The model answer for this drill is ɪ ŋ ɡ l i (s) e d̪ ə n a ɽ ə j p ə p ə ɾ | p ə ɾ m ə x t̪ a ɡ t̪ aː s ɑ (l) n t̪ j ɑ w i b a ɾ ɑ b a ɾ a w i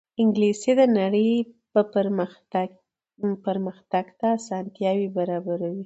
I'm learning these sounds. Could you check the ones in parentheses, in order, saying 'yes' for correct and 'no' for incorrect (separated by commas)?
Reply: yes, no